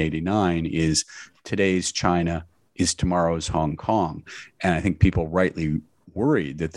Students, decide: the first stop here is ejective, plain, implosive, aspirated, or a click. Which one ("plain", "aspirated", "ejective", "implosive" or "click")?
aspirated